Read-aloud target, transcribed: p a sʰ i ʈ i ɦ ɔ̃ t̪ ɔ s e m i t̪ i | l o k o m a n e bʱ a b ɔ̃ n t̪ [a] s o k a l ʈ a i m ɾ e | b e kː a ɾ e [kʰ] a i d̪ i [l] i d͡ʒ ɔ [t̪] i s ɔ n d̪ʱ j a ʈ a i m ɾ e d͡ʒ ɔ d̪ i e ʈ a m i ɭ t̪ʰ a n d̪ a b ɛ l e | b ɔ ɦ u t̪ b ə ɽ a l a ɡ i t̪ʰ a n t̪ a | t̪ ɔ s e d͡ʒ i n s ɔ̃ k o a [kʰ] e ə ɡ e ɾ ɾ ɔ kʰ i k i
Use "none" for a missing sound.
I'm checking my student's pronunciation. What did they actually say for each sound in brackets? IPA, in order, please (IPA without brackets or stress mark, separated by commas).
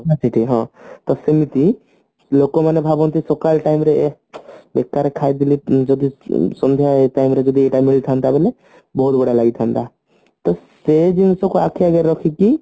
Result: i, kʰ, l, d̪, kʰ